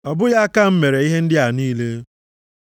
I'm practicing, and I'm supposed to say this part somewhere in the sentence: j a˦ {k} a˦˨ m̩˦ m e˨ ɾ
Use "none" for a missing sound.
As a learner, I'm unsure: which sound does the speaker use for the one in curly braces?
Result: k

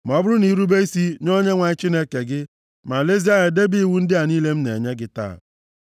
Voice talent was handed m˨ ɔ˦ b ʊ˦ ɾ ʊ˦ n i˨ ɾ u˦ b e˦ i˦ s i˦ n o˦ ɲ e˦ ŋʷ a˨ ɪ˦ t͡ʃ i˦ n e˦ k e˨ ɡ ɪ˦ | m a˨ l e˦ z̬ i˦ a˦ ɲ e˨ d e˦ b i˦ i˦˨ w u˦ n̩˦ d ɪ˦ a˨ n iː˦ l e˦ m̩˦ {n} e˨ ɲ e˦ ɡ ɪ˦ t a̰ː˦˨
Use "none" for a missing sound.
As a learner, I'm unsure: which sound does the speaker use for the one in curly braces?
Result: n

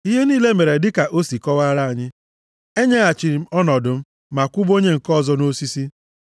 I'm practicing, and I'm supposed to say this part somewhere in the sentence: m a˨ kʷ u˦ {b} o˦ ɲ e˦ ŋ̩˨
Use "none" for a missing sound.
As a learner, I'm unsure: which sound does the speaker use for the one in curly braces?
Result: b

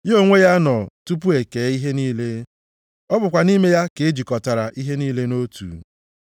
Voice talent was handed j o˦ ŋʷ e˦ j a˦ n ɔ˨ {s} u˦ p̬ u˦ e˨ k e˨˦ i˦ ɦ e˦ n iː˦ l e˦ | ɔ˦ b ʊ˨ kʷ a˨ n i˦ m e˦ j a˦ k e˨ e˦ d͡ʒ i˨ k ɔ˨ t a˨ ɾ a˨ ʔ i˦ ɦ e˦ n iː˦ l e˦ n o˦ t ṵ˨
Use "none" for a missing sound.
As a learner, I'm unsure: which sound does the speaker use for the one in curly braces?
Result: t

